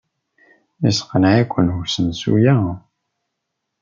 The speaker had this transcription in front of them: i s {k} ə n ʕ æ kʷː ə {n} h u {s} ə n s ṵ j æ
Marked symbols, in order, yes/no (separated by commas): no, yes, yes